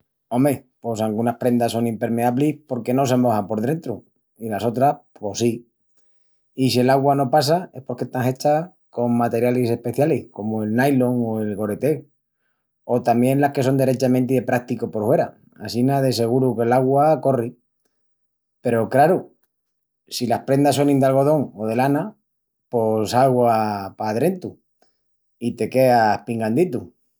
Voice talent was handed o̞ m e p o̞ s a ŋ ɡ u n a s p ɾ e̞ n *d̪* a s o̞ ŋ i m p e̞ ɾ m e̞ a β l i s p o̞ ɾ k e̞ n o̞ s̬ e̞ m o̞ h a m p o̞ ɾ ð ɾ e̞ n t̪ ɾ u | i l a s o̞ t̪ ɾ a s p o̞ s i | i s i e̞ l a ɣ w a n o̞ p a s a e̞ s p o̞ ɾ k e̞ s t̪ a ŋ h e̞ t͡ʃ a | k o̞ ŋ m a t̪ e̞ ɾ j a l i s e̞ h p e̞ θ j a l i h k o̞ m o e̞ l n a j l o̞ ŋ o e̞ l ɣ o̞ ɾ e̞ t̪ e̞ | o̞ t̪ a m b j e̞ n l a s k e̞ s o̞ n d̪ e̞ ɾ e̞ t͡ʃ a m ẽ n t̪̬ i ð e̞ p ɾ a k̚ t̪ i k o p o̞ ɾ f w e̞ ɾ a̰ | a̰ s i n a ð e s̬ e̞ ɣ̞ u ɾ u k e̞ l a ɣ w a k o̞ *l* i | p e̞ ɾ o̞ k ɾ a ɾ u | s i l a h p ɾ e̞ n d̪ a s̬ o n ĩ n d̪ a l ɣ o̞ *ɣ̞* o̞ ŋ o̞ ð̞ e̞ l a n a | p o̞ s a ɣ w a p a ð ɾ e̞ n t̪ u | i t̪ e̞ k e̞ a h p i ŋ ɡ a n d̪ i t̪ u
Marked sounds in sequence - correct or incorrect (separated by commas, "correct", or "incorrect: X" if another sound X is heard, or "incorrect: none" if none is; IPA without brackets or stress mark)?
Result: correct, incorrect: r, incorrect: ð̞